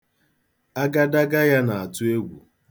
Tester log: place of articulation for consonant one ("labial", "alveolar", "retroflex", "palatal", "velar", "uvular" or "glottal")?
velar